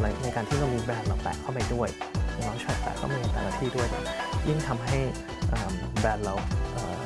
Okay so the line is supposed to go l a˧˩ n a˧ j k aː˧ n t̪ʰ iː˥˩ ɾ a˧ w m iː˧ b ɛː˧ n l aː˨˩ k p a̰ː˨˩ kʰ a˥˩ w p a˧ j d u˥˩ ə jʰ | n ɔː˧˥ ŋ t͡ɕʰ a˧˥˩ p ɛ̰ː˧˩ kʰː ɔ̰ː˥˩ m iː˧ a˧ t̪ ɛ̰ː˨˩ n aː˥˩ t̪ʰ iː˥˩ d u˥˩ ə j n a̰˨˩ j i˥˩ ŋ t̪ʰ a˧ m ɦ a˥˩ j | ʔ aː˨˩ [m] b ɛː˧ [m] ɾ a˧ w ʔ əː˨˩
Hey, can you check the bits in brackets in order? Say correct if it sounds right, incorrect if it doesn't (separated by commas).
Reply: correct, incorrect